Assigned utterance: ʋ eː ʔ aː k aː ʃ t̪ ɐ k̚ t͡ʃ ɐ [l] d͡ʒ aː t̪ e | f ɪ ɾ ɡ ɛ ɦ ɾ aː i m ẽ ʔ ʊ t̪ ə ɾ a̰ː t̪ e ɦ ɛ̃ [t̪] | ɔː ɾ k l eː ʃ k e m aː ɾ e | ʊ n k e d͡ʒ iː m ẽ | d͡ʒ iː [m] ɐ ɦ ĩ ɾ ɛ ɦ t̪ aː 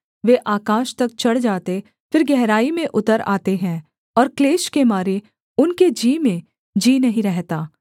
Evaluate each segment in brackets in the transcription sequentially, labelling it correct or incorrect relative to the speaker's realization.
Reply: incorrect: ɽ, incorrect: none, incorrect: n

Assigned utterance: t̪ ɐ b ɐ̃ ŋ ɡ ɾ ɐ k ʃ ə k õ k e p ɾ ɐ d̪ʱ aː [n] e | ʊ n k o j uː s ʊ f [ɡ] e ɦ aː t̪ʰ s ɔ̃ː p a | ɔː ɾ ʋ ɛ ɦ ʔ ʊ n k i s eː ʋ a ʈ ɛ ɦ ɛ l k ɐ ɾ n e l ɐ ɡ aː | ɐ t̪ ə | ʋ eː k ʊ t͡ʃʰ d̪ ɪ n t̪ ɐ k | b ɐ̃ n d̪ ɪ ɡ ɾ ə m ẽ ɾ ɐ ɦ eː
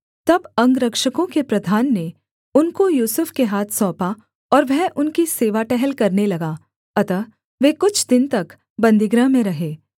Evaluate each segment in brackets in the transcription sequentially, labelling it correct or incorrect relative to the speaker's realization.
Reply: incorrect: nː, incorrect: k

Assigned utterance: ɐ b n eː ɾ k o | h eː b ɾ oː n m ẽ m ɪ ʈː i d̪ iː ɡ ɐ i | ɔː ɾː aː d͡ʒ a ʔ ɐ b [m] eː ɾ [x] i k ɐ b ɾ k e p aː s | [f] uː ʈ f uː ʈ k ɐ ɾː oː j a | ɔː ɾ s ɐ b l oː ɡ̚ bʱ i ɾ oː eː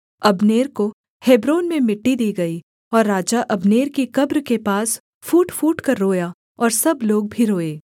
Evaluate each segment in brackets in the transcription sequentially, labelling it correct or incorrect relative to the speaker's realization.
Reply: incorrect: n, incorrect: k, correct

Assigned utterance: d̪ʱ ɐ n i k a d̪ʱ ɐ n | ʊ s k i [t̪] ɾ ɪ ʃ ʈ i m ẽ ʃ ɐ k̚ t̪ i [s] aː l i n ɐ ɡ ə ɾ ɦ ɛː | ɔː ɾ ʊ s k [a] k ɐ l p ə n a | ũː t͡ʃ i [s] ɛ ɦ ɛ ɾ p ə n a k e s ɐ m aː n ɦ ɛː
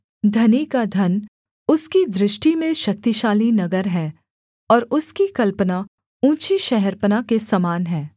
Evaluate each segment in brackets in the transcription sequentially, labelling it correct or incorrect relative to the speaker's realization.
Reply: incorrect: d̪, incorrect: ʃ, incorrect: i, incorrect: ʃ

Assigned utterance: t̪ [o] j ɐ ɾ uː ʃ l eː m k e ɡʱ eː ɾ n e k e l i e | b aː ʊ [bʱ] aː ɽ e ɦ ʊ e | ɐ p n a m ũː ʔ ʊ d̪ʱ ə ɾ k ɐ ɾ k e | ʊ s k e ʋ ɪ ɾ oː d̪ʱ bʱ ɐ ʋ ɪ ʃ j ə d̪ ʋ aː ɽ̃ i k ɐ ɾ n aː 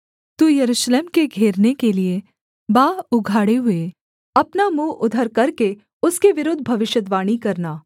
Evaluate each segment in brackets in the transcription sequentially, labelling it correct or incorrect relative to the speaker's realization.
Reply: incorrect: u, incorrect: ɡʱ

